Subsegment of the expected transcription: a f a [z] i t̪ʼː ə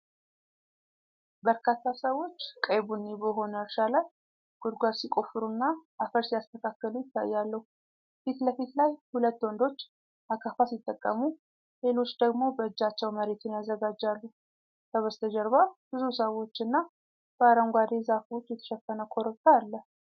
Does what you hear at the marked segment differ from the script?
yes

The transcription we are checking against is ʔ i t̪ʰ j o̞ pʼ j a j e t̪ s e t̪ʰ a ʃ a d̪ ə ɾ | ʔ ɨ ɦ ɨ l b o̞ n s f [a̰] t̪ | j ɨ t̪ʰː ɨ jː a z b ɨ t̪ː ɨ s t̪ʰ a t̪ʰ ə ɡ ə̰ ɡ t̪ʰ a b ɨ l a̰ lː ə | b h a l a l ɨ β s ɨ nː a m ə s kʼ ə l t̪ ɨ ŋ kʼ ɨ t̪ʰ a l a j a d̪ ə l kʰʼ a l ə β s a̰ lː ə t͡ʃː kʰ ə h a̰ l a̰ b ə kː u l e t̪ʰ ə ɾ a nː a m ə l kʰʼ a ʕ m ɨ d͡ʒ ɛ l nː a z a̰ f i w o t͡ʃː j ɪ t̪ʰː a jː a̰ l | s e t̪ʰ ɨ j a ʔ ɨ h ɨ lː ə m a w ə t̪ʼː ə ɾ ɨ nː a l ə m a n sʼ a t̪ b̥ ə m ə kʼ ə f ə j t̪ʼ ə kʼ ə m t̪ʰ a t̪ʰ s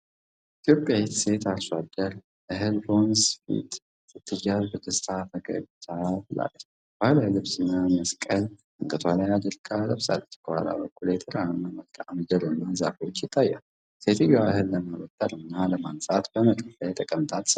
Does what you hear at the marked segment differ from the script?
yes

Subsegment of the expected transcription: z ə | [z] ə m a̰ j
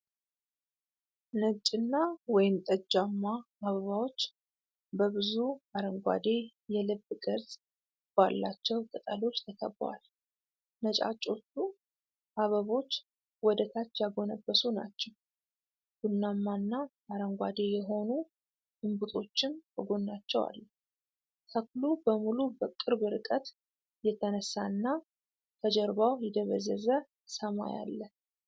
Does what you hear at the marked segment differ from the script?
yes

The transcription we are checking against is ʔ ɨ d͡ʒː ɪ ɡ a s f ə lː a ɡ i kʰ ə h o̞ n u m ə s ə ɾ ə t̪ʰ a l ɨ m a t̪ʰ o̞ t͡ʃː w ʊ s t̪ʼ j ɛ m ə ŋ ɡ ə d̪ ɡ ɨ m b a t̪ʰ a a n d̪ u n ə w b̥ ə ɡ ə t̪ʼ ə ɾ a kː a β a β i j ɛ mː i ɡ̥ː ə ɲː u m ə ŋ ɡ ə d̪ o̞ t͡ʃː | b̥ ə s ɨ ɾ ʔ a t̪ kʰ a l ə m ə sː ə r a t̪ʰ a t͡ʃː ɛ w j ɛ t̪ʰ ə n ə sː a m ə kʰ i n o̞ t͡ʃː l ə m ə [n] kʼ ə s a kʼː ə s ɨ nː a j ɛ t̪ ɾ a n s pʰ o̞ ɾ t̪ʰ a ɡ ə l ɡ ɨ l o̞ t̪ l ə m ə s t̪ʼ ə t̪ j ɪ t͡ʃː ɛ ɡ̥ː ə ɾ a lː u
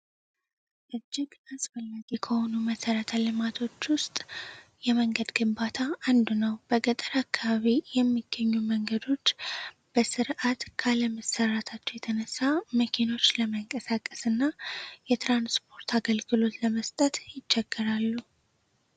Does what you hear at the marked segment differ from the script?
yes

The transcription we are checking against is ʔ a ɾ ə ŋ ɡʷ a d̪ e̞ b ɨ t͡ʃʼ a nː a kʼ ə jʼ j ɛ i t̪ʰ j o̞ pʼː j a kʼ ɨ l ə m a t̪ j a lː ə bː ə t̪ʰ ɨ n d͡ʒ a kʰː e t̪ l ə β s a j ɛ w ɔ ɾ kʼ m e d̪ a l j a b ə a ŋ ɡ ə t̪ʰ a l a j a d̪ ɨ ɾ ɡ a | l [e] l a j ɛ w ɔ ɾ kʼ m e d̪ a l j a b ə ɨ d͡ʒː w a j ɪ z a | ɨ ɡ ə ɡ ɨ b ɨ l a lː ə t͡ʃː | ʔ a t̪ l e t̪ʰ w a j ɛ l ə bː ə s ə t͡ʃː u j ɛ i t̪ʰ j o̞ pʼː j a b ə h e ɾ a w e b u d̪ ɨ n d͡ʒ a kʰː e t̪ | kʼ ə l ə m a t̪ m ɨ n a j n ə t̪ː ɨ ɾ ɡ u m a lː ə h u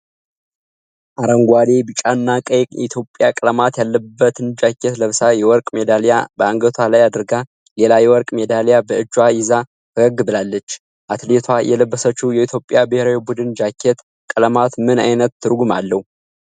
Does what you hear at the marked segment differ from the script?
no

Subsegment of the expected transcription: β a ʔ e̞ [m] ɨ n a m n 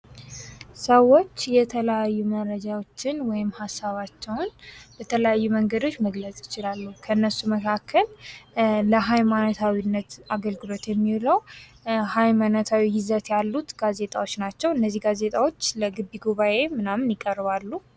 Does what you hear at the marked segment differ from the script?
no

